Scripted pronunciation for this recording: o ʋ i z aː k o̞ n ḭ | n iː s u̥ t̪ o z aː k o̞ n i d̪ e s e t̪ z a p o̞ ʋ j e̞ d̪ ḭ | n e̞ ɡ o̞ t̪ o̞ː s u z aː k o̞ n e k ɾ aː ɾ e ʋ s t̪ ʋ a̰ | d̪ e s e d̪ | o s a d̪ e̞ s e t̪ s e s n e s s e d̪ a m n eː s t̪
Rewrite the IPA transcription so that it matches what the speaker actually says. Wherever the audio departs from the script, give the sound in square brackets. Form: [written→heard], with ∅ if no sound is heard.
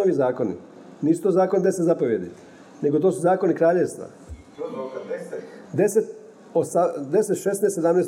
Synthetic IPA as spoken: o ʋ i z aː k o̞ n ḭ | n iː s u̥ t̪ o z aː k o̞ n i d̪ e s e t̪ z a p o̞ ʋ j e̞ d̪ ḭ | n e̞ ɡ o̞ t̪ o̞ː s u z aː k o̞ n [e→i] k ɾ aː [ɾ→ʎ] e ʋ s t̪ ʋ a̰ | d̪ e s e [d̪→t̪] | o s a d̪ e̞ s e t̪ [s→ʃ] e s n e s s e d̪ a m n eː s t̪